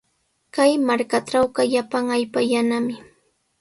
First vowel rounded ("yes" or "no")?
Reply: no